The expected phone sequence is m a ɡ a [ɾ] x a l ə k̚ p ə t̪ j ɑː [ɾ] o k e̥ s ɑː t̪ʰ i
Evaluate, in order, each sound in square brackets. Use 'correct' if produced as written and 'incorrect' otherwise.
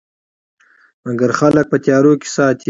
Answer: correct, correct

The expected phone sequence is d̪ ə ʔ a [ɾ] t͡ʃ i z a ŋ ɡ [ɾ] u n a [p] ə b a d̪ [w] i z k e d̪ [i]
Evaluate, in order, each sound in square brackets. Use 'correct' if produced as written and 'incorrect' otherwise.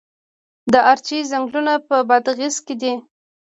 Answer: correct, incorrect, correct, incorrect, correct

